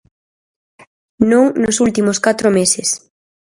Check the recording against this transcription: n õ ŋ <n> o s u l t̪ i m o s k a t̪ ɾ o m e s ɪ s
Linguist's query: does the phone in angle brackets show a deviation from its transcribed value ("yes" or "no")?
no